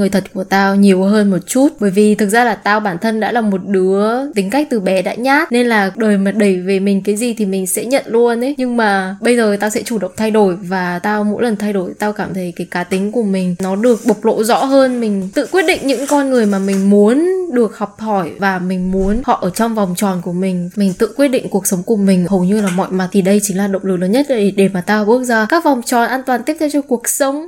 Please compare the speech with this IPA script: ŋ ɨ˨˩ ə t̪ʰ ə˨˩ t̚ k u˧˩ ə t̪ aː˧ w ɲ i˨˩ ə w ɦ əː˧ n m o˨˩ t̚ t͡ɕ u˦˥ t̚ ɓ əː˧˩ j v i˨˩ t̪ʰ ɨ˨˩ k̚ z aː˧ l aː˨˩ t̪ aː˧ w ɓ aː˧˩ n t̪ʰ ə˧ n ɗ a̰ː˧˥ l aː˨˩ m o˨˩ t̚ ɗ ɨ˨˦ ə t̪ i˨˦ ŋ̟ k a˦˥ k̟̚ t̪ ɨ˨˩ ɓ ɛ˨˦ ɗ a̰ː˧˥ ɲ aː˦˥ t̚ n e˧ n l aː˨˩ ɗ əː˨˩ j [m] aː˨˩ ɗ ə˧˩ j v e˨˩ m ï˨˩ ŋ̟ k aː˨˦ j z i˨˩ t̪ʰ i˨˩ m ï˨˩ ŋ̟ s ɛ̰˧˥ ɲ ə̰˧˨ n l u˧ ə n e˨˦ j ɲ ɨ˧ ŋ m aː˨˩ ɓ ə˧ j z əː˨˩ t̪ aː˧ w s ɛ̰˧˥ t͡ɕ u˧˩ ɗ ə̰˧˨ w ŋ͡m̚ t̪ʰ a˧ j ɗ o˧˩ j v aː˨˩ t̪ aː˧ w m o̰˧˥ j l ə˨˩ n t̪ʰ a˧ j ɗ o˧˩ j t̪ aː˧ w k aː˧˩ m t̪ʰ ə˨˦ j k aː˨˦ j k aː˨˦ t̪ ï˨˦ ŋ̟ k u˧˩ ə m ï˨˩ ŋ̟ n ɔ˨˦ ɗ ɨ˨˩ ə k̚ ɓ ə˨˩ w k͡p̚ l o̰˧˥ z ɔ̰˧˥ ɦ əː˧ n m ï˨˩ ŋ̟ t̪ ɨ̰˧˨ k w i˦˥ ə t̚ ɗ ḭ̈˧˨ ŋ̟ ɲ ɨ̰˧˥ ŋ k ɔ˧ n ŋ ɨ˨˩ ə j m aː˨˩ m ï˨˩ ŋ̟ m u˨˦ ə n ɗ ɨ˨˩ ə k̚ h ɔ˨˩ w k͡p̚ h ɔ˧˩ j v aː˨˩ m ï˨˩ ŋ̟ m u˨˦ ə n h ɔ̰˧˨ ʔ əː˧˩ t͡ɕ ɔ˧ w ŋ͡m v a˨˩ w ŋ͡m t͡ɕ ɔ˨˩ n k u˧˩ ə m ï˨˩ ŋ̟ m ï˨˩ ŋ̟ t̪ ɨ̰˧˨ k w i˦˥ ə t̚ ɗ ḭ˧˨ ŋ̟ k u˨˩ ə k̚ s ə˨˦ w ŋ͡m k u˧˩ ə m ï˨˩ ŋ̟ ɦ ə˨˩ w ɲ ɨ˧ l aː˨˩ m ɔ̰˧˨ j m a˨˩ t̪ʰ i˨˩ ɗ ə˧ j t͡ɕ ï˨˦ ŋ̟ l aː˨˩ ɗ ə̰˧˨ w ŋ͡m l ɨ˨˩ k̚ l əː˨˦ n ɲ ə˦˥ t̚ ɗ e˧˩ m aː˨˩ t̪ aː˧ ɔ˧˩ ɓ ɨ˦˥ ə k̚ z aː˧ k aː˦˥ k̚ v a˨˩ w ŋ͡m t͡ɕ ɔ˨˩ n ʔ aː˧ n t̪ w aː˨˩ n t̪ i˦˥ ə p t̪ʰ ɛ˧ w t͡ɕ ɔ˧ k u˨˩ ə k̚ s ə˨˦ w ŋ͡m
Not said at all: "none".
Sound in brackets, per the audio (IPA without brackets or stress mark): m